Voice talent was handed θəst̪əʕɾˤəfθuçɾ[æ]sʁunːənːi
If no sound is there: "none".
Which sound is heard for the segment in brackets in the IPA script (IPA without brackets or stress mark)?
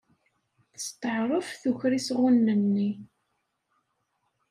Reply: i